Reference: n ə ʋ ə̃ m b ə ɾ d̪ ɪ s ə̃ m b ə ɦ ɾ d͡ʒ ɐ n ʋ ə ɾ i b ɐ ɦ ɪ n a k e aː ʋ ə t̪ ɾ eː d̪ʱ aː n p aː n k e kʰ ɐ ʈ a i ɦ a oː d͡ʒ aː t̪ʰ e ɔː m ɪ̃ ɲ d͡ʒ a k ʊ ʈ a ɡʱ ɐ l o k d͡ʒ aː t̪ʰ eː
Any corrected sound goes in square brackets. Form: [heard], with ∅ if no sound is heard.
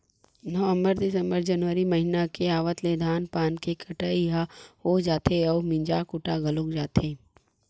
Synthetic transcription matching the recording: n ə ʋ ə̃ m b ə ɾ d̪ ɪ s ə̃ m b ə [∅] ɾ d͡ʒ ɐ n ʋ ə ɾ i [m] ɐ ɦ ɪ n a k e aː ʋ ə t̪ [l] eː d̪ʱ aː n p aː n k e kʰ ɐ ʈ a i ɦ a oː d͡ʒ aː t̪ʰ e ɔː m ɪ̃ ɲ d͡ʒ a k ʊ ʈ a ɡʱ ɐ l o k d͡ʒ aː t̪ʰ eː